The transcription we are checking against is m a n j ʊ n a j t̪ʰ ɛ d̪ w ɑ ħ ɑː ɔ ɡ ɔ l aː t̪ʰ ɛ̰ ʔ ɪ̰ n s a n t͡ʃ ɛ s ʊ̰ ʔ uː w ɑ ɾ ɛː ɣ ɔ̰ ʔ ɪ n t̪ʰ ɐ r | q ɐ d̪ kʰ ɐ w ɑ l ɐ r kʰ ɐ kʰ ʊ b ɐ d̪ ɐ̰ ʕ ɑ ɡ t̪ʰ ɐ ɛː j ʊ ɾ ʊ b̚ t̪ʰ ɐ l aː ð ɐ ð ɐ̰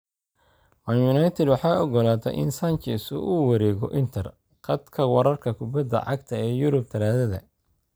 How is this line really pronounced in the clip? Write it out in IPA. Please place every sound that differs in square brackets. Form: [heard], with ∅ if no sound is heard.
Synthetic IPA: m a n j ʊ n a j t̪ʰ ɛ d̪ w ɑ ħ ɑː ɔ ɡ ɔ l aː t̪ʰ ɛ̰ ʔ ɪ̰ n s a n t͡ʃ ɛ s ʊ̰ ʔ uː w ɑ ɾ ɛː ɣ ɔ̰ ʔ ɪ n t̪ʰ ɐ r | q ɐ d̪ kʰ ɐ w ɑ [ɾ] ɐ r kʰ ɐ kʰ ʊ b ɐ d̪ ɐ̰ ʕ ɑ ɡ t̪ʰ ɐ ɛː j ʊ ɾ ʊ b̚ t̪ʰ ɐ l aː ð ɐ ð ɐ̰